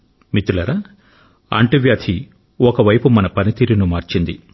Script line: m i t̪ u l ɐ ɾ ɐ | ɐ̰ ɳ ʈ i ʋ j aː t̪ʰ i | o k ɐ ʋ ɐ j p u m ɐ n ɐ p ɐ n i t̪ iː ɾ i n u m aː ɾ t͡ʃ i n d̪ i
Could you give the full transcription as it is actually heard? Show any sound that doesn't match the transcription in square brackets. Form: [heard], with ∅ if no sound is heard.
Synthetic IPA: m i t̪ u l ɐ ɾ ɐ | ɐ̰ ɳ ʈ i ʋ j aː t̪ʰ i | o k ɐ ʋ ɐ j p u m ɐ n ɐ p ɐ n i t̪ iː ɾ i n u m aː ɾ t͡ʃ i n d̪ i

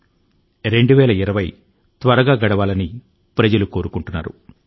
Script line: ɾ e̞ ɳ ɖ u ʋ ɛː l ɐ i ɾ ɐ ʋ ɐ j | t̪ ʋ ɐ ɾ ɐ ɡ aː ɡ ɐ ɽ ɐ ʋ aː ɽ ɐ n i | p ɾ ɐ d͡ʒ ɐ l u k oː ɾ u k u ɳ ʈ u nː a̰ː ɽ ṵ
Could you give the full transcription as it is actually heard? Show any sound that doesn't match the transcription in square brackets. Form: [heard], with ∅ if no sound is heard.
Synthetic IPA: ɾ e̞ ɳ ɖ u ʋ ɛː l ɐ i ɾ ɐ ʋ ɐ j | t̪ ʋ ɐ ɾ ɐ ɡ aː ɡ ɐ ɽ ɐ ʋ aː [l] ɐ n i | p ɾ ɐ d͡ʒ ɐ l u k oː ɾ u k u ɳ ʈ u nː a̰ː [ɾ] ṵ

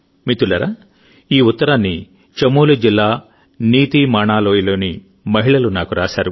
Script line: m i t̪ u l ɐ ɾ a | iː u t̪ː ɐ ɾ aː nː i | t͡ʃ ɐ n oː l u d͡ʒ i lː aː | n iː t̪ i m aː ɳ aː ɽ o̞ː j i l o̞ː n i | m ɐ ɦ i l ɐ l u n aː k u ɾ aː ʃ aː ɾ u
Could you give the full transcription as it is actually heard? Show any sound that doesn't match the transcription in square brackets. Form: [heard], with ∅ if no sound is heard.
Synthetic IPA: m i t̪ u l ɐ ɾ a | iː u t̪ː ɐ ɾ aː nː i | t͡ʃ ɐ [m] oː l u d͡ʒ i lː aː | n iː t̪ i m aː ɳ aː [l] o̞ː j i l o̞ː n i | m ɐ ɦ i [ɭ] ɐ l u n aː k u ɾ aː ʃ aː ɾ u

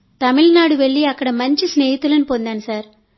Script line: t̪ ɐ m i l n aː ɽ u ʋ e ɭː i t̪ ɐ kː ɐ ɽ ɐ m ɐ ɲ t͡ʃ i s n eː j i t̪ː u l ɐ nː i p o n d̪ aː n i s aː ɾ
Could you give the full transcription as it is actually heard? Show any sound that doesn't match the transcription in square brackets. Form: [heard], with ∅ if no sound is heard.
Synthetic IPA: t̪ ɐ m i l n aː ɽ u ʋ e ɭː i [∅] ɐ kː ɐ ɽ ɐ m ɐ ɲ t͡ʃ i s n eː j i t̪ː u l ɐ [n] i p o n d̪ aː n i s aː ɾ

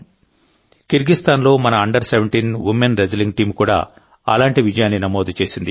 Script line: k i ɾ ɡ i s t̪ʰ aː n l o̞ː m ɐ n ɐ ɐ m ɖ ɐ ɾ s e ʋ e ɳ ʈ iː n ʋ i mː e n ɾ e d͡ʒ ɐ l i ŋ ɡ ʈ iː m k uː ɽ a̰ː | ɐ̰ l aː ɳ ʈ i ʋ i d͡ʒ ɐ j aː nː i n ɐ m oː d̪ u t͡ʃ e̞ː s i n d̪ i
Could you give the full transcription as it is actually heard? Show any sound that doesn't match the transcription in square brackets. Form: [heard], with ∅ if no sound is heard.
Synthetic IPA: k i ɾ ɡ i s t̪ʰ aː n l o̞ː m ɐ n ɐ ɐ [ɳ] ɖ ɐ ɾ s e ʋ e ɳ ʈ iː n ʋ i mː e n ɾ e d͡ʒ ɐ l i ŋ ɡ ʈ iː m k uː ɽ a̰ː | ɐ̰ l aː ɳ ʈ i ʋ i d͡ʒ ɐ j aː nː i n ɐ m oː d̪ u t͡ʃ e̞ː s i n d̪ i

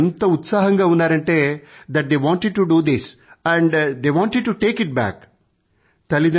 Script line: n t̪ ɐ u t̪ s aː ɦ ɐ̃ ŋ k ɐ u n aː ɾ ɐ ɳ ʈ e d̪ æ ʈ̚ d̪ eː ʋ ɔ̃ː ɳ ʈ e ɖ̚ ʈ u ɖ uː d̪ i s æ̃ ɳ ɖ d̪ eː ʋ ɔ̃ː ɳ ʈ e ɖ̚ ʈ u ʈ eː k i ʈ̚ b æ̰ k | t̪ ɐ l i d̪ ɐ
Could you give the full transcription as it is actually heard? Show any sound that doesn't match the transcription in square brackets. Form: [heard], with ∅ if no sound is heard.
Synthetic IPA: n t̪ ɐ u t̪ s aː ɦ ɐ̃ ŋ [ɡ] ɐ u n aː ɾ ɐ ɳ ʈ e d̪ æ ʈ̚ d̪ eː ʋ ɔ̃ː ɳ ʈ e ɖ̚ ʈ u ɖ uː d̪ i s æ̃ ɳ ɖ d̪ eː ʋ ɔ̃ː ɳ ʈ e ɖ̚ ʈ u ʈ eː k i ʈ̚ b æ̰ k | t̪ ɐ l i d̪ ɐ

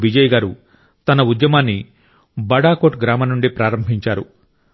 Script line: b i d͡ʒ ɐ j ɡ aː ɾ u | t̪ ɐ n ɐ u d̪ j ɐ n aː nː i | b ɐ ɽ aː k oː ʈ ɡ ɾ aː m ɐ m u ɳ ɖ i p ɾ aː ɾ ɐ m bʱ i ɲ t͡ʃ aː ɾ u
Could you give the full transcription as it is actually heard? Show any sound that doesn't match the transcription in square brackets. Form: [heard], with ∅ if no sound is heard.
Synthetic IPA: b i d͡ʒ ɐ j ɡ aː ɾ u | t̪ ɐ n ɐ u d̪ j ɐ [m] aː nː i | b ɐ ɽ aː k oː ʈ ɡ ɾ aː m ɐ [n] u ɳ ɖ i p ɾ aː ɾ ɐ m bʱ i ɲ t͡ʃ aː ɾ u

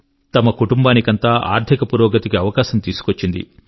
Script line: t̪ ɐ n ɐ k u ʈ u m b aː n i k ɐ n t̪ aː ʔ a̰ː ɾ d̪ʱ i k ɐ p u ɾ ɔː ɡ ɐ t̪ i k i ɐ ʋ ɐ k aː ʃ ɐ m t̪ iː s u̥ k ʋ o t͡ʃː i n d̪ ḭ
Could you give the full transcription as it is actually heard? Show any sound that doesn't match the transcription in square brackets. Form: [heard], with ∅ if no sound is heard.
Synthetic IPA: t̪ ɐ [m] ɐ k u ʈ u m b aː n i k ɐ n t̪ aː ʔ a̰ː ɾ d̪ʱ i k ɐ p u ɾ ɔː ɡ ɐ t̪ i k i ɐ ʋ ɐ k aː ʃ ɐ m t̪ iː s u̥ k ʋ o t͡ʃː i n d̪ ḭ

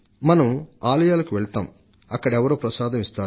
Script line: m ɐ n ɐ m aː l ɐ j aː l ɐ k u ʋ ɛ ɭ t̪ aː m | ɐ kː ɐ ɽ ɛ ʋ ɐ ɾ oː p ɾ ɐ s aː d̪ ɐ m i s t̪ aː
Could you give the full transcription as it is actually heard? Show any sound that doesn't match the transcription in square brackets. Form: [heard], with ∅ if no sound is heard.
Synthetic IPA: m ɐ n ɐ m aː l ɐ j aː l ɐ k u ʋ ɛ ɭ t̪ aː m | ɐ kː ɐ ɽ ɛ ʋ ɐ ɾ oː p ɾ ɐ s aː d̪ ɐ m i s t̪ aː

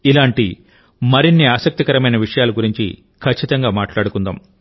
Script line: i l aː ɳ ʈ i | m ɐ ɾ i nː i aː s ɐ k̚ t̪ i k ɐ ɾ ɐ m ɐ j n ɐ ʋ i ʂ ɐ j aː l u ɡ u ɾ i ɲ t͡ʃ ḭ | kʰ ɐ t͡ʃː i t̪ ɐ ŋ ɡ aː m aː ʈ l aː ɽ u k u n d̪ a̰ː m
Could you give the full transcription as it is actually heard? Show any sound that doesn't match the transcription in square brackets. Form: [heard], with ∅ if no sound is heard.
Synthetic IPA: i l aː ɳ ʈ i | m ɐ ɾ i nː i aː s ɐ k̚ t̪ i k ɐ ɾ ɐ m ɐ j n ɐ ʋ i ʂ ɐ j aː l u ɡ u ɾ i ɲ t͡ʃ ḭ | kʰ ɐ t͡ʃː i t̪ ɐ ŋ ɡ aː m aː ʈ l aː ɽ u k u n d̪ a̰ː m

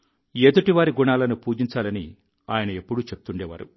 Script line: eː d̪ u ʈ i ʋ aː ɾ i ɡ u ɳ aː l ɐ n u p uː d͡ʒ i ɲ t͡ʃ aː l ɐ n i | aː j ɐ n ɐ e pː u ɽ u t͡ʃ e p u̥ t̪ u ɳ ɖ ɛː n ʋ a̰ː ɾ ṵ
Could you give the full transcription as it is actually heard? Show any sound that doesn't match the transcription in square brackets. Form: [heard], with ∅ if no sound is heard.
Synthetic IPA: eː d̪ u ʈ i ʋ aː ɾ i ɡ u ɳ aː l ɐ n u p uː d͡ʒ i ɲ t͡ʃ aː l ɐ n i | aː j ɐ n ɐ e pː u ɽ u t͡ʃ e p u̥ t̪ u ɳ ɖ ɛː [∅] ʋ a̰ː ɾ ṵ

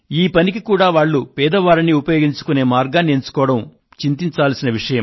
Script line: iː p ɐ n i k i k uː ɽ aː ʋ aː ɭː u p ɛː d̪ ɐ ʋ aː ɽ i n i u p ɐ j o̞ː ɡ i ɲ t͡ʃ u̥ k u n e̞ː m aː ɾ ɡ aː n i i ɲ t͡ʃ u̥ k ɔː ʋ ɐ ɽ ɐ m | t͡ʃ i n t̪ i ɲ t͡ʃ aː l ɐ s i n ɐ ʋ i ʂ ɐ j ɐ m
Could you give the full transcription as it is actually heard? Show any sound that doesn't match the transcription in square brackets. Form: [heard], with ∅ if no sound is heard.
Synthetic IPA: iː p ɐ n i k i k uː ɽ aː ʋ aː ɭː u p ɛː d̪ ɐ ʋ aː [ɾ] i n i u p ɐ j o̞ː ɡ i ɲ t͡ʃ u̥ k u n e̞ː m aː ɾ ɡ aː n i [e] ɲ t͡ʃ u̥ k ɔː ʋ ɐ ɽ ɐ m | t͡ʃ i n t̪ i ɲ t͡ʃ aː l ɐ s i n ɐ ʋ i ʂ ɐ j ɐ m

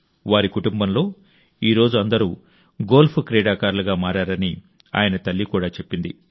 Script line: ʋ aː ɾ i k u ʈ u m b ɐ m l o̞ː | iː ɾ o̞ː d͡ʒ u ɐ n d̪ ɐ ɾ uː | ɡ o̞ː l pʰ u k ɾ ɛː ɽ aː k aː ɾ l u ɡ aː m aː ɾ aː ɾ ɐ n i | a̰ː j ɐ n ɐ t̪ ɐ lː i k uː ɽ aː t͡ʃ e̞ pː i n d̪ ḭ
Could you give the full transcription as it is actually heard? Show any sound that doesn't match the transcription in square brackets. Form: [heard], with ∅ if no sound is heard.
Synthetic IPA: ʋ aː ɾ i k u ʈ u m b ɐ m l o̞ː | iː ɾ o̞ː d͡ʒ u ɐ n d̪ ɐ ɾ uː | ɡ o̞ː l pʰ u k ɾ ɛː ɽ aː k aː ɾ l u ɡ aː m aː ɾ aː ɾ ɐ n i | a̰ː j ɐ n ɐ t̪ ɐ lː i k uː ɽ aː t͡ʃ e̞ pː i n d̪ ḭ

